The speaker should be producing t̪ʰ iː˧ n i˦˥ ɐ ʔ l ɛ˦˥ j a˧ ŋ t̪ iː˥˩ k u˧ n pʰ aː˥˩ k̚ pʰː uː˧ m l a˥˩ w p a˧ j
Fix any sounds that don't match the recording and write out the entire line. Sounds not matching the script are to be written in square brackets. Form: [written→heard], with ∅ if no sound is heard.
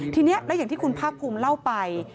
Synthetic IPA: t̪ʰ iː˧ n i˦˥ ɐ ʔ l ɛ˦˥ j [a˧→a˨˩] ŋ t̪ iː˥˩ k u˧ n pʰ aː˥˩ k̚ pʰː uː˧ m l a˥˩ w p a˧ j